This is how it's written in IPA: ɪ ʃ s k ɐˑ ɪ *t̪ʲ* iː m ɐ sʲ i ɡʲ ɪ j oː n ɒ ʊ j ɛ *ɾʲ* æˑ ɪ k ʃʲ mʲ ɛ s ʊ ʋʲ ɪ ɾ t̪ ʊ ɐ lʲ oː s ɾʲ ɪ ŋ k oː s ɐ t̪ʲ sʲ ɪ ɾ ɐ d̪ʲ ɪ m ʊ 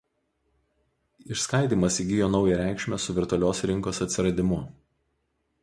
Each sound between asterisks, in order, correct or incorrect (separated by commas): incorrect, correct